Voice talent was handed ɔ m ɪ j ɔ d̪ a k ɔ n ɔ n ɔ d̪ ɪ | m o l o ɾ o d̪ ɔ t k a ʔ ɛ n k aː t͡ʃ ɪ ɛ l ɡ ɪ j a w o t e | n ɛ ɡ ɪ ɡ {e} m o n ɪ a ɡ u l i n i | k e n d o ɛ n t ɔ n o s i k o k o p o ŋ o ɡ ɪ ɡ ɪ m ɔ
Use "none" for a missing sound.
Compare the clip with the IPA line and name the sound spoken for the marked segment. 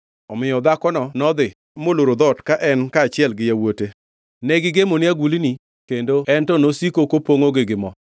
e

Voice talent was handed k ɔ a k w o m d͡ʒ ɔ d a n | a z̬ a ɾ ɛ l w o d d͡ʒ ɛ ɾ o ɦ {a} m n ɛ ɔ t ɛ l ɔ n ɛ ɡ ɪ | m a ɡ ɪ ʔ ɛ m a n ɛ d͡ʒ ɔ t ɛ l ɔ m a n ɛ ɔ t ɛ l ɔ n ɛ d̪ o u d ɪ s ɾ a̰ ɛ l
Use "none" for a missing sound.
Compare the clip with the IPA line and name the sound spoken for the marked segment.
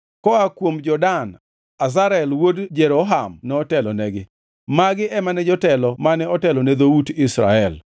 a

